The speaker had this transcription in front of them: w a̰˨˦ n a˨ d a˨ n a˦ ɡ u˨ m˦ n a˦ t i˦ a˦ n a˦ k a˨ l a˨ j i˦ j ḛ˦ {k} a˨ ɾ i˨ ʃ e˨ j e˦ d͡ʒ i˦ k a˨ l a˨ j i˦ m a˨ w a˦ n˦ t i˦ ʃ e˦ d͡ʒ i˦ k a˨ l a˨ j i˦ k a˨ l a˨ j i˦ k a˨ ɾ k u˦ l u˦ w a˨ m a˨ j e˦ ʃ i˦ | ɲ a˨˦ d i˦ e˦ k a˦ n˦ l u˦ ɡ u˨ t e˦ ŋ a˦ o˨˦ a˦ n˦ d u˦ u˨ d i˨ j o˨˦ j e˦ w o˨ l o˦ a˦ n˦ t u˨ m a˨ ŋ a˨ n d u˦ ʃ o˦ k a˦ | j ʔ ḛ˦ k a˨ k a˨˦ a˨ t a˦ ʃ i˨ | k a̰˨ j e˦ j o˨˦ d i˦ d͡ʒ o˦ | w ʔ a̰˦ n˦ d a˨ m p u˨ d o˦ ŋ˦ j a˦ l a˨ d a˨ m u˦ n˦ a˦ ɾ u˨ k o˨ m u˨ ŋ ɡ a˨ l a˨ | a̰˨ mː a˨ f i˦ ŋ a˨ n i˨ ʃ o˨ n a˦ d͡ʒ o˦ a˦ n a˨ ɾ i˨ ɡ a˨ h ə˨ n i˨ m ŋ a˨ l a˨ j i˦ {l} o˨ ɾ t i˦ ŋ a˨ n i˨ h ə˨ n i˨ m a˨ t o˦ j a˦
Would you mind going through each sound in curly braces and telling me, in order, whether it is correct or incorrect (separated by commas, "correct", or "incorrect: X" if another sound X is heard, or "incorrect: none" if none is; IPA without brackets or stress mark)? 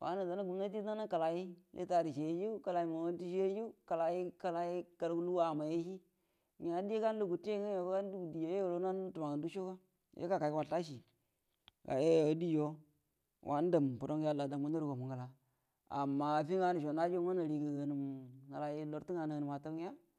incorrect: t, correct